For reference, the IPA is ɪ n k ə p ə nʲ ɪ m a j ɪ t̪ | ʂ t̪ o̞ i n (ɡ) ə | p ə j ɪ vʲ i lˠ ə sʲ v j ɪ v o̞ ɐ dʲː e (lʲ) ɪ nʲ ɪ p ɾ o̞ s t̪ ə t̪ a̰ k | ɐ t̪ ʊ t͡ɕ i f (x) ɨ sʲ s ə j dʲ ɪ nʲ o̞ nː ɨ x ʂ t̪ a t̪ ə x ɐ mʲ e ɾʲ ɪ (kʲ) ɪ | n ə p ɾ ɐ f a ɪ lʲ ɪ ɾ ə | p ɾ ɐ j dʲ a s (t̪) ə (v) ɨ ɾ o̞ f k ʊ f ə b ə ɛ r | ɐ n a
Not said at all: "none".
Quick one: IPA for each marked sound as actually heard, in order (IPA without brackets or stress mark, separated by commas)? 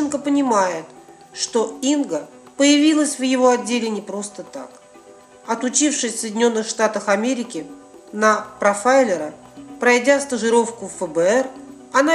ɡ, lʲ, ʂ, kʲ, t̪, ʐ